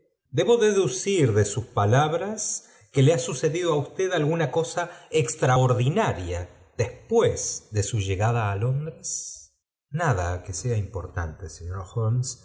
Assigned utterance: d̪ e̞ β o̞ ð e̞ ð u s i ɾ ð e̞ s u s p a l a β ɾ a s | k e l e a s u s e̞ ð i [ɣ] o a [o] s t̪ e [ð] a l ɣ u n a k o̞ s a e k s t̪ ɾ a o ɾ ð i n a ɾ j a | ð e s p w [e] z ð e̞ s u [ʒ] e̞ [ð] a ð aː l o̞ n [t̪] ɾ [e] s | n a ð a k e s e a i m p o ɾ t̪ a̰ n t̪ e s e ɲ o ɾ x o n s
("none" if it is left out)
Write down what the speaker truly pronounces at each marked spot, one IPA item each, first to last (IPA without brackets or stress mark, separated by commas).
ð, u, ð, e, ʒ, ɣ, d̪, e